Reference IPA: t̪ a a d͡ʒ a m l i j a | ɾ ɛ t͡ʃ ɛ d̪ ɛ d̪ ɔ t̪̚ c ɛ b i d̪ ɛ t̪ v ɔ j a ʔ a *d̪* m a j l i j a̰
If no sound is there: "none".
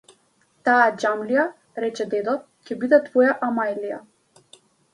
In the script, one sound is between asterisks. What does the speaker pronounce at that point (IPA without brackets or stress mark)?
none